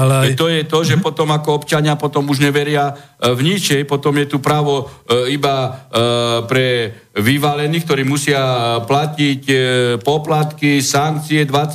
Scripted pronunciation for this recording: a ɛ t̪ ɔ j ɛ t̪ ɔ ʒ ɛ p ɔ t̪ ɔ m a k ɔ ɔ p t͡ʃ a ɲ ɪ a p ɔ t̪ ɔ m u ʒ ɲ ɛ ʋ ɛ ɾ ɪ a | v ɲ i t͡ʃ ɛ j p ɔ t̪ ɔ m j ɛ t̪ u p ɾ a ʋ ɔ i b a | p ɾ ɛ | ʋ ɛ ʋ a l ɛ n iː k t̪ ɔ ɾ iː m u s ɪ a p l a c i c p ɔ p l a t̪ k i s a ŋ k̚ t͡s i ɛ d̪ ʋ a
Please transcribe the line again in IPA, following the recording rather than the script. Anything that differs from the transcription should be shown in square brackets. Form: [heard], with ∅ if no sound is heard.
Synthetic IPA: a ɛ t̪ ɔ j ɛ t̪ ɔ ʒ ɛ p ɔ t̪ ɔ m a k ɔ ɔ p t͡ʃ a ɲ ɪ a p ɔ t̪ ɔ m u ʒ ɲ ɛ ʋ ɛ ɾ ɪ a | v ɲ i t͡ʃ ɛ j p ɔ t̪ ɔ m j ɛ t̪ u p ɾ a ʋ ɔ i b a | p ɾ ɛ | ʋ [i] ʋ a l ɛ n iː k t̪ ɔ ɾ iː m u s ɪ a p l a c i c p ɔ p l a t̪ k i s a ŋ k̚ t͡s i ɛ d̪ ʋ a